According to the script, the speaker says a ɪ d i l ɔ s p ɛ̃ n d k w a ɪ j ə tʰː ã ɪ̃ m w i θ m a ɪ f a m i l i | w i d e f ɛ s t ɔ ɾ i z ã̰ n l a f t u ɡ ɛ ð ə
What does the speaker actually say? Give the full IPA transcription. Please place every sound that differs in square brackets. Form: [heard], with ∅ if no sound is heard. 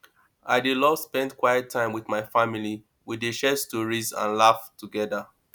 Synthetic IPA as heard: a ɪ d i l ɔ s p ɛ̃ n d k w a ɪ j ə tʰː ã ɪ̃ m w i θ m a ɪ f a m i l i | w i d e [ʃ] ɛ s t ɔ [ɹ] i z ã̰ n l a f t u ɡ ɛ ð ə

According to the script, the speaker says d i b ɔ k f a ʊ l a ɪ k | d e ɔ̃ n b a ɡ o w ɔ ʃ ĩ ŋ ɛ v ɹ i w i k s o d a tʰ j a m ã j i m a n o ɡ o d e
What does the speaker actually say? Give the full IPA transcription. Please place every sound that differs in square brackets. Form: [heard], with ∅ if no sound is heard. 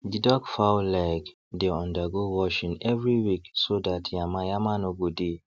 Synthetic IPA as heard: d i [d] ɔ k f a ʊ l a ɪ k | d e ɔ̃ n [d] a ɡ o w ɔ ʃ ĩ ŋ ɛ v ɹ i w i k s o d a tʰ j a m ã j [a] m a n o ɡ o d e

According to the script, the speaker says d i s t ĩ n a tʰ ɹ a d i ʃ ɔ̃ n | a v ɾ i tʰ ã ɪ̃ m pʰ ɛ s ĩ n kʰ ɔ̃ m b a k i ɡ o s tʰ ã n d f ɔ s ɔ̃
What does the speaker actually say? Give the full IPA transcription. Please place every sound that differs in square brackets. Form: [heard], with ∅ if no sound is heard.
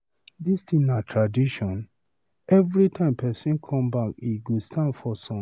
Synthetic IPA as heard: d i s t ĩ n a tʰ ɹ a d i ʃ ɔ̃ n | [ɛ] v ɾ i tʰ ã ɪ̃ m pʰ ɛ s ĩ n kʰ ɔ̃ m b a k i ɡ o s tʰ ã n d f ɔ s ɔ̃

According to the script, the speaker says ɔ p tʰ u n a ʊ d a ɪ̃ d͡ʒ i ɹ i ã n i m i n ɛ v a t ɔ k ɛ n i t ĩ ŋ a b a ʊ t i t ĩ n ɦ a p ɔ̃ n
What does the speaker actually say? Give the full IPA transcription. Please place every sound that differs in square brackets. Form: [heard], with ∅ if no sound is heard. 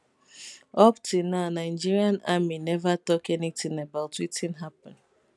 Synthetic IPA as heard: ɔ p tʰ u n a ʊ [n] a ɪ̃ d͡ʒ i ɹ i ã n [a] m i n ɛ v a t ɔ k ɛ n i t ĩ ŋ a b a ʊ t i t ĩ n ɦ a p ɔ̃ n

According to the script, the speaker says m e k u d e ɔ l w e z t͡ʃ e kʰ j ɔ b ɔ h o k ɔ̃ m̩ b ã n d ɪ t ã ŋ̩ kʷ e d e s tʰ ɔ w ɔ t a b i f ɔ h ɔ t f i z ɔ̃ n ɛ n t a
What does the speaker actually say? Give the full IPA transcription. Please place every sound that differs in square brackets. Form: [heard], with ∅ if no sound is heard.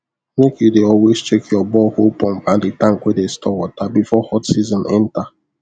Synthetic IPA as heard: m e k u d e ɔ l w e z t͡ʃ e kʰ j ɔ b ɔ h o [p] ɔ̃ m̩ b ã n d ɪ t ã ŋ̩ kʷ e d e s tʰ ɔ w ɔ t a b i f ɔ h ɔ t [s] i z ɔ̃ n ɛ n t a

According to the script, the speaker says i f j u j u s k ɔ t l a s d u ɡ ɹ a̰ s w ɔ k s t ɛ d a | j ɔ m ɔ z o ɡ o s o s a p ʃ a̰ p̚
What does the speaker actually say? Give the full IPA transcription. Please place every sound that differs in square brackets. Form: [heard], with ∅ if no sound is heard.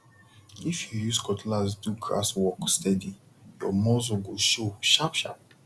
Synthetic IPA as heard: i f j u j u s k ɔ t l a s d u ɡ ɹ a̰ s w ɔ k s t ɛ d [i] | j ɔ m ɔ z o ɡ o [ʃ] o [ʃ] a p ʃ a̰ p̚

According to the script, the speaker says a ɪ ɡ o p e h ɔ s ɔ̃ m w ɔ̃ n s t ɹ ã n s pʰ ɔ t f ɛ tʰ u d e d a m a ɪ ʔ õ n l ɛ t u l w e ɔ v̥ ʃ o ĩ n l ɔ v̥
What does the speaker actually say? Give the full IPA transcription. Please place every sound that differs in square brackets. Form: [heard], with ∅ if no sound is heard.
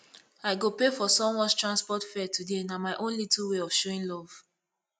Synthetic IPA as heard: a ɪ ɡ o p e [f] ɔ s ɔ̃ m w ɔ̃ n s t ɹ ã n s [p] ɔ t f ɛ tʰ u d e [n] a m a ɪ ʔ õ n l [i] t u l w e ɔ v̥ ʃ o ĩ n l ɔ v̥

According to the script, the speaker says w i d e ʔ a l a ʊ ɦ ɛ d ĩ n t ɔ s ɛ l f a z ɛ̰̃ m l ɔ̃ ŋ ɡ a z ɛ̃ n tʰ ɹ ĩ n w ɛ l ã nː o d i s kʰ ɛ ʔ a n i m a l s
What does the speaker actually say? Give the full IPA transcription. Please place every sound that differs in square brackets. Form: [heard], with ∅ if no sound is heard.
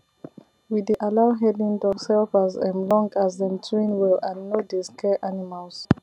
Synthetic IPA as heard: w i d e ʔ a l a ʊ ɦ ɛ d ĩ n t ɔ s ɛ l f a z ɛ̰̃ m l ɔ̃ ŋ ɡ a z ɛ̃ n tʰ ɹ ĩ n w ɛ l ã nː o d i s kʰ ɛ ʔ a n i m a l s

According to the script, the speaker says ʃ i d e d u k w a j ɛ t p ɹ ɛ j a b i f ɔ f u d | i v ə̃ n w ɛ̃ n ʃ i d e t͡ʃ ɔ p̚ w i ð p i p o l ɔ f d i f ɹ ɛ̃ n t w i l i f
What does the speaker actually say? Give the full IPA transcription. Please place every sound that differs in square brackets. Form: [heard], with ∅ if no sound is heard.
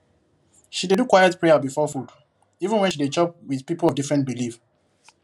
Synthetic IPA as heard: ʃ i d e d u k w a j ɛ t p ɹ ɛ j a b i f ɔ f u d | i v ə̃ n w ɛ̃ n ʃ i d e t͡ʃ ɔ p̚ w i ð p i p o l ɔ [v] d i f ɹ ɛ̃ n t [b] i l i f

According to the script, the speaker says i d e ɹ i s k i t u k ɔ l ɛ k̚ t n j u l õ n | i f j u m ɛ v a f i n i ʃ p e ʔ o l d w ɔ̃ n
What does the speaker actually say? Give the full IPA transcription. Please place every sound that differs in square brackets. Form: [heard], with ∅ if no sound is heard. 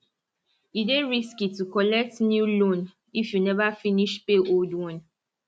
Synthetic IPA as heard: i d e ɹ i s k i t u k ɔ l ɛ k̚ t n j u l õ n | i f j u [n] ɛ v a f i n i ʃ p e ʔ o l d w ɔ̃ n

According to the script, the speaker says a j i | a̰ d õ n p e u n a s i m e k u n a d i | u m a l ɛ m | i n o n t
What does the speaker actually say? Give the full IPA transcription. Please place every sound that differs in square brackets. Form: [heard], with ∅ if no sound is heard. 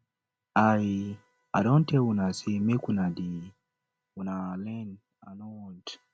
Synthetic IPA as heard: a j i | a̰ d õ n [t] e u n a s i m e k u n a d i | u [n] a l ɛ [n] | [a] n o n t

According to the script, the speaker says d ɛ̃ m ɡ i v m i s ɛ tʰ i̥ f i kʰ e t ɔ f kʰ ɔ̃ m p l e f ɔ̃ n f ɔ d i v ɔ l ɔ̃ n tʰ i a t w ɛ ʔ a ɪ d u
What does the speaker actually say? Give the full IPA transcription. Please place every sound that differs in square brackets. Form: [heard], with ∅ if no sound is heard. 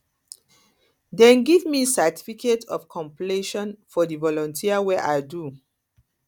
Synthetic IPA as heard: d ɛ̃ [n] ɡ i v m i s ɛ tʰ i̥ f i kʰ e t ɔ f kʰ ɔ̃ m p l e [ʃ] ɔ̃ n f ɔ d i v ɔ l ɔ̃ n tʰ i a [∅] w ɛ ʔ a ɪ d u

